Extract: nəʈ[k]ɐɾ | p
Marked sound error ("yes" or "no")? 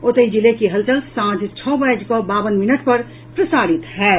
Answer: yes